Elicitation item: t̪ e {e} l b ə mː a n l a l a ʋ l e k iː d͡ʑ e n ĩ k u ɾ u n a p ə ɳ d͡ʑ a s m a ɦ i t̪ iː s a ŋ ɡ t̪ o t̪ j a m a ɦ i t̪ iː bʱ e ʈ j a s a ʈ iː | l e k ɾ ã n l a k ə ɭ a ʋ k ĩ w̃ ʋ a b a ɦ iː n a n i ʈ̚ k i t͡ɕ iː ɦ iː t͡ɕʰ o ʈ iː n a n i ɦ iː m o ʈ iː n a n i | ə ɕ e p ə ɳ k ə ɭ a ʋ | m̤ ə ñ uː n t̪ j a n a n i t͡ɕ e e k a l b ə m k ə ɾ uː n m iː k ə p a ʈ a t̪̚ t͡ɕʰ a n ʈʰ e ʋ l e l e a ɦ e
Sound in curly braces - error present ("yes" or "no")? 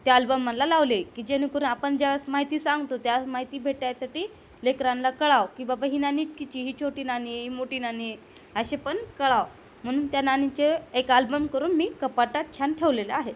yes